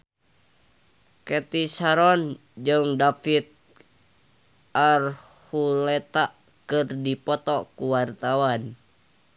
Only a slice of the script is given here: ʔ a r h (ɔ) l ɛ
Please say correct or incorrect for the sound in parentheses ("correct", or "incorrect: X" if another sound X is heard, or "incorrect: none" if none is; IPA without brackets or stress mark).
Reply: incorrect: u